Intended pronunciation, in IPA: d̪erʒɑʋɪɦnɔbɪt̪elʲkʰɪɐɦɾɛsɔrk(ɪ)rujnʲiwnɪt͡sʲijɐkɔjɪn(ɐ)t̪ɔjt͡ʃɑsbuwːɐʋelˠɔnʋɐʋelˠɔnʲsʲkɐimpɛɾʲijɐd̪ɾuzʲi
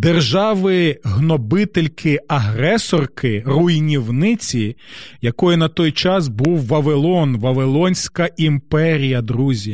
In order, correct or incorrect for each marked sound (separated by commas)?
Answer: correct, correct